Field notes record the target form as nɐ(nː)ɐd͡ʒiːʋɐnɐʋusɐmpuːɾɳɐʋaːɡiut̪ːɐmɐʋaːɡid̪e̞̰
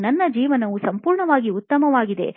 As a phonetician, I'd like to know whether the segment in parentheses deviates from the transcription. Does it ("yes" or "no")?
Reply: no